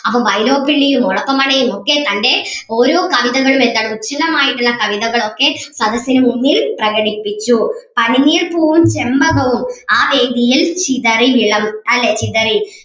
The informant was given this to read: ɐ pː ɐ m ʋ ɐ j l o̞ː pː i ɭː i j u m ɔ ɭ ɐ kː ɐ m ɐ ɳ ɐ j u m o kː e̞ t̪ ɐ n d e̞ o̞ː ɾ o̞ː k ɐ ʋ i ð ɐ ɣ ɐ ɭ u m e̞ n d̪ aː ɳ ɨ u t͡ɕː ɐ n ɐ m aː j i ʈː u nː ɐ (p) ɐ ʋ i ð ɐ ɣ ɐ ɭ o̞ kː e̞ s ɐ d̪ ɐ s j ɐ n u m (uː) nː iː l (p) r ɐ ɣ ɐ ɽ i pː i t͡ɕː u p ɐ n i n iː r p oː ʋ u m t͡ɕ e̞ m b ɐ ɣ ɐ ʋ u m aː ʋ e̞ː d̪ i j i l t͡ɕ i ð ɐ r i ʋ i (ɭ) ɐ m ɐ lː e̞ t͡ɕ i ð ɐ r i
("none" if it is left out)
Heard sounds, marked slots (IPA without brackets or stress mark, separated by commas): k, u, p, ɭ